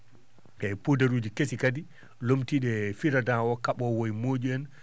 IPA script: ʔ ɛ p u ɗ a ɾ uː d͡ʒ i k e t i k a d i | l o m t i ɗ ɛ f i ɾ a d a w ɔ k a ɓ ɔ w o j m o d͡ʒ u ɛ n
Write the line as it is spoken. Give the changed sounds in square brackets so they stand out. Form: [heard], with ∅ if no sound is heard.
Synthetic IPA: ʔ ɛ p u [d] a ɾ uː d͡ʒ i k e [s] i k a d i | l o m t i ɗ ɛ f i ɾ a d a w ɔ k a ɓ ɔ w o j m o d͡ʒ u ɛ n